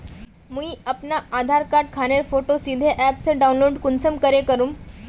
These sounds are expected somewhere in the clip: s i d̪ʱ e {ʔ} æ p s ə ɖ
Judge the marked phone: correct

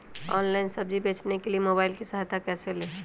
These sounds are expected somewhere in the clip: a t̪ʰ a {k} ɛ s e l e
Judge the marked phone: correct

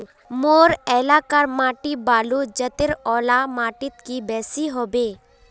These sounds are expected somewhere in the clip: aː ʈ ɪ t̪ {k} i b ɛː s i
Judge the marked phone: correct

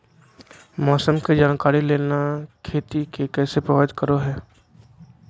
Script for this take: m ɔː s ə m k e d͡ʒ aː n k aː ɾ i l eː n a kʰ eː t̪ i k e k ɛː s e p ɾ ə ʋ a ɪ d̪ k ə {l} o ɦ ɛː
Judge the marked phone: incorrect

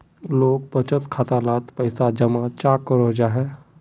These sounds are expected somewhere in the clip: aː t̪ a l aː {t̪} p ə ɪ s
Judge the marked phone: correct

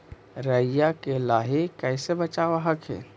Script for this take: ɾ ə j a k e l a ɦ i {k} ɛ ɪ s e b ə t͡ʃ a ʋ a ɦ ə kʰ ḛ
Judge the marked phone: correct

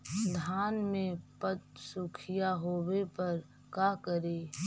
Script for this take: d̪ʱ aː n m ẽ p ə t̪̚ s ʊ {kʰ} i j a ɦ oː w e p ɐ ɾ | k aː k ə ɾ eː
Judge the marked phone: correct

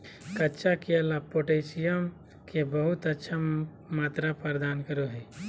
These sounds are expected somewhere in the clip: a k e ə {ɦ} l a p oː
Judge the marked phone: incorrect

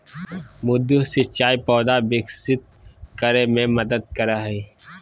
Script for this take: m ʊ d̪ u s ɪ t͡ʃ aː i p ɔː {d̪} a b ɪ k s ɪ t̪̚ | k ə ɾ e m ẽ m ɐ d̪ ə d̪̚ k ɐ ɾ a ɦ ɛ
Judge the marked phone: correct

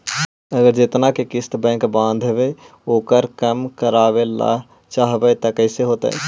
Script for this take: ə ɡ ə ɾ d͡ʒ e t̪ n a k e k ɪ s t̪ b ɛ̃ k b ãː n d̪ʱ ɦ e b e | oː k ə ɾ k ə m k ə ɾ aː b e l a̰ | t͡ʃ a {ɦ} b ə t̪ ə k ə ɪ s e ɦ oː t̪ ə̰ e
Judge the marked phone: correct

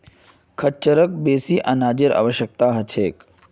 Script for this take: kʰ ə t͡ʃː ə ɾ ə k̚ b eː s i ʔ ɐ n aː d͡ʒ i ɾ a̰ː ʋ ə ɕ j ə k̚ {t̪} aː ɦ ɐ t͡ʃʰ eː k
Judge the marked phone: correct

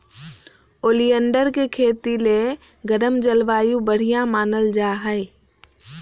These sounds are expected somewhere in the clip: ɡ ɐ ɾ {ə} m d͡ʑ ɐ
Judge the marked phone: correct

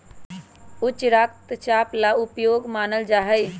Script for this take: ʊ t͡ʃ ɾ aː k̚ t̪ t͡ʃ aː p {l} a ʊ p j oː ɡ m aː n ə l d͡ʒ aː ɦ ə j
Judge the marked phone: correct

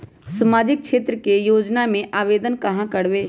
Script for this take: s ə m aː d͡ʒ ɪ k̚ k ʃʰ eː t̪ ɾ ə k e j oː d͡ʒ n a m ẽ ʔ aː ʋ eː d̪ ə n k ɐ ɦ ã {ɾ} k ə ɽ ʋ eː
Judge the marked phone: incorrect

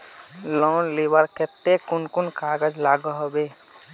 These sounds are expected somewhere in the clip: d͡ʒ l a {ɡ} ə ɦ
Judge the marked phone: correct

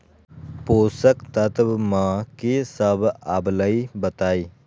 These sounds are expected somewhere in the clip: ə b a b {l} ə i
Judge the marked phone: correct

